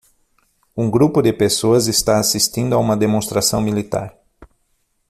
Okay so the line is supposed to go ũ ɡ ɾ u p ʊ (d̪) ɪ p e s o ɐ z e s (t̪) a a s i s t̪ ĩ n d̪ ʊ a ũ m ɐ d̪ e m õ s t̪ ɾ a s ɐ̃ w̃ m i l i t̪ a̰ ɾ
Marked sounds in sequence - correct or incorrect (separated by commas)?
correct, correct